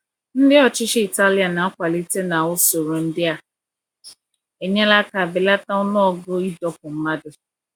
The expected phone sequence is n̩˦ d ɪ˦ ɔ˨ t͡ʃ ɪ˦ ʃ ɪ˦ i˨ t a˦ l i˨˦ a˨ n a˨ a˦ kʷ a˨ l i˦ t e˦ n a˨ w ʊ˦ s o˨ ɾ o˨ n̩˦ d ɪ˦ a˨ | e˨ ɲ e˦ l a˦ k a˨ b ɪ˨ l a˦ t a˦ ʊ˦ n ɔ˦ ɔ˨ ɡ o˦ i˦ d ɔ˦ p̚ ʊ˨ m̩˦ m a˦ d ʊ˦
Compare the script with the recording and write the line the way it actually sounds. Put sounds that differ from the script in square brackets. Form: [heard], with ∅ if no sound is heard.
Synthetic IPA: n̩˦ d ɪ˦ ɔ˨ t͡ʃ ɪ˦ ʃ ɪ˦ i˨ t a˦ l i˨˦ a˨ n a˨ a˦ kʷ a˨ l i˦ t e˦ n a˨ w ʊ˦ s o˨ ɾ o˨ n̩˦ d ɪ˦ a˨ | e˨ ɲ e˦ l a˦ k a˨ b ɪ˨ l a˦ t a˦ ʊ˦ n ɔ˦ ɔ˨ ɡ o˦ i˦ d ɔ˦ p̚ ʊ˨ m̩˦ m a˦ d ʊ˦